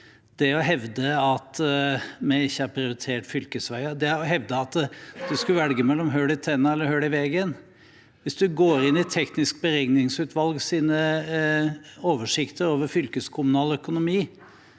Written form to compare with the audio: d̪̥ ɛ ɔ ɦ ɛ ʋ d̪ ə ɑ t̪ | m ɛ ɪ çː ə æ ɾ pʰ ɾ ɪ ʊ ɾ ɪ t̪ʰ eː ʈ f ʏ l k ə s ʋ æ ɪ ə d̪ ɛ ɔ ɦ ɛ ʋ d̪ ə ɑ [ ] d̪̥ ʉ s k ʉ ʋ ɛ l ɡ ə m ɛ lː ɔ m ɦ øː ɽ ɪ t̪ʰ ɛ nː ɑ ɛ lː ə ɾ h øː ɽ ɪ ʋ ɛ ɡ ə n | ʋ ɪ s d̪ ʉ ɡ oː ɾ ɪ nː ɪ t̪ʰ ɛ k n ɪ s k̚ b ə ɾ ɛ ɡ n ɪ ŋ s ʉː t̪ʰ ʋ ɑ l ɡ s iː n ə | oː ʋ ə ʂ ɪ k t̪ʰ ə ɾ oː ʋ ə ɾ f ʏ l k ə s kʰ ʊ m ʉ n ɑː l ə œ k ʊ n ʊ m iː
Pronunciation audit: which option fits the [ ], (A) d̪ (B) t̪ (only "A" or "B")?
B